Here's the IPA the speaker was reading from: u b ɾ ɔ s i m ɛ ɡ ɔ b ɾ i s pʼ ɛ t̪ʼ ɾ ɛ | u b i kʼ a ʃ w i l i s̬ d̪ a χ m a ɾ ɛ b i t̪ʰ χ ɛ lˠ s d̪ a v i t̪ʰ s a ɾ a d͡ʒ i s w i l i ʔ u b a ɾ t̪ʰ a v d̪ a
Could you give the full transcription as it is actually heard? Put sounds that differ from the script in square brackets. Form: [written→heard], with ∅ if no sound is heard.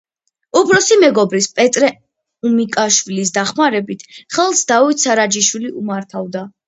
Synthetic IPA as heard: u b ɾ ɔ s i m ɛ ɡ ɔ b ɾ i s pʼ ɛ t̪ʼ ɾ ɛ | u [b→m] i kʼ a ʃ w i l i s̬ d̪ a χ m a ɾ ɛ b i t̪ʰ χ ɛ lˠ s d̪ a v i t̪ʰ s a ɾ a d͡ʒ i [s→ʃ] w i l i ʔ u [b→m] a ɾ t̪ʰ a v d̪ a

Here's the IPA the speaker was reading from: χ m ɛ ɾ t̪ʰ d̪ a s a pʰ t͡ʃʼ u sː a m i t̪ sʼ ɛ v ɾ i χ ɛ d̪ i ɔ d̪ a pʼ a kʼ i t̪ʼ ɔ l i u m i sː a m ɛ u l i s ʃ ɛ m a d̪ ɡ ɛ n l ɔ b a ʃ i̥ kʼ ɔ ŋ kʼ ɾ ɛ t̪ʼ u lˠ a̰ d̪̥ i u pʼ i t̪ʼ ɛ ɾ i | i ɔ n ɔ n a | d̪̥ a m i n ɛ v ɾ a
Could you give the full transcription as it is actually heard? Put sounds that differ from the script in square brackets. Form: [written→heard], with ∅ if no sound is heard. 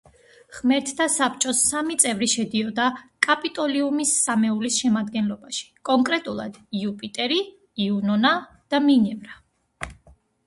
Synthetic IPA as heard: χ m ɛ ɾ t̪ʰ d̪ a s a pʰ t͡ʃʼ [u→ɔ] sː a m i t̪ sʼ ɛ v ɾ i [χ→ʃ] ɛ d̪ i ɔ d̪ a [pʼ→kʼ] a [kʼ→pʼ] i t̪ʼ ɔ l i u m i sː a m ɛ u l i s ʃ ɛ m a d̪ ɡ ɛ n l ɔ b a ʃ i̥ kʼ ɔ ŋ kʼ ɾ ɛ t̪ʼ u lˠ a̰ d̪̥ i u pʼ i t̪ʼ ɛ ɾ i | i [ɔ→u] n ɔ n a | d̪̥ a m i n ɛ v ɾ a

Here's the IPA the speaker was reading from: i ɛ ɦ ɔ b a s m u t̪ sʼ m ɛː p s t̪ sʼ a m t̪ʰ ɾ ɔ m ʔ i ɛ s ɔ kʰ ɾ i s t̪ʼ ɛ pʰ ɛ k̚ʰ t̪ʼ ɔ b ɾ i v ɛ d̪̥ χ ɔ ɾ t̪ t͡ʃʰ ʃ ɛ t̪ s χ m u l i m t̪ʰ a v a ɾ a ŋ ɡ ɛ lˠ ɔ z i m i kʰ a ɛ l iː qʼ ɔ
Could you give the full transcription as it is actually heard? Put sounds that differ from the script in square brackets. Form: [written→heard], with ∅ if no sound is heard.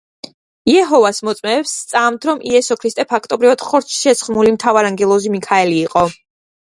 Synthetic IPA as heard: i ɛ ɦ ɔ [b→v] a s m [u→ɔ] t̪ sʼ m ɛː p s t̪ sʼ a m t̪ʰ ɾ ɔ m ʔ i ɛ s ɔ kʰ ɾ i s t̪ʼ ɛ pʰ [ɛ→a] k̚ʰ t̪ʼ ɔ b ɾ i v [ɛ→a] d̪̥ χ ɔ ɾ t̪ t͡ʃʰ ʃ ɛ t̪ s χ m u l i m t̪ʰ a v a ɾ a ŋ ɡ ɛ lˠ ɔ z i m i kʰ a ɛ l iː qʼ ɔ

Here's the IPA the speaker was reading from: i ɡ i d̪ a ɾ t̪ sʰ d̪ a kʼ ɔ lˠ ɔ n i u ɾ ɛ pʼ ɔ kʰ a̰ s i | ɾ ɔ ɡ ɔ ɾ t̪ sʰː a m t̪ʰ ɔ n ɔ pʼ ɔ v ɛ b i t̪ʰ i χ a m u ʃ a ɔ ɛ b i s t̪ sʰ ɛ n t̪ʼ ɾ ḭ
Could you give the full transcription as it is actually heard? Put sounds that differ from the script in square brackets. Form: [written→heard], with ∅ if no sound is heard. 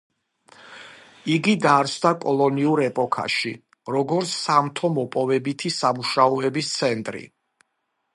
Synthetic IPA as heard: i ɡ i d̪ a ɾ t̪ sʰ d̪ a kʼ ɔ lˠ ɔ n i u ɾ ɛ pʼ ɔ kʰ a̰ [s→ʃ] i | ɾ ɔ ɡ ɔ ɾ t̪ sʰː a m t̪ʰ ɔ [n→m] ɔ pʼ ɔ v ɛ b i t̪ʰ i [χ→s] a m u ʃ a ɔ ɛ b i s t̪ sʰ ɛ n t̪ʼ ɾ ḭ

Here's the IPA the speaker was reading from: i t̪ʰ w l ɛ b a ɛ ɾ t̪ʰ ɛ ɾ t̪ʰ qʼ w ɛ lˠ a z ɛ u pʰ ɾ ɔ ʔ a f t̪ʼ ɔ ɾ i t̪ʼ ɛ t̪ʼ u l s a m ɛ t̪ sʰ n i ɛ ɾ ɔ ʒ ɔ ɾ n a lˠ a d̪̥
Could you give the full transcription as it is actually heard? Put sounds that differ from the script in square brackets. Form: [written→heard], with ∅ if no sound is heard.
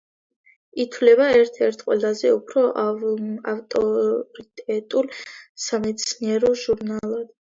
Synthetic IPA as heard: i t̪ʰ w l ɛ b a ɛ ɾ t̪ʰ ɛ ɾ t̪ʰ qʼ w ɛ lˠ a z ɛ u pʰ ɾ ɔ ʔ a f t̪ʼ ɔ ɾ i t̪ʼ ɛ t̪ʼ u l s a m ɛ t̪ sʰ n i ɛ ɾ ɔ ʒ [ɔ→u] ɾ n a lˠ a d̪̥

